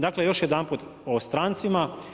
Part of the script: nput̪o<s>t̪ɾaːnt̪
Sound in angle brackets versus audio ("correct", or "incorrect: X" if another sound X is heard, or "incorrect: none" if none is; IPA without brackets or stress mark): correct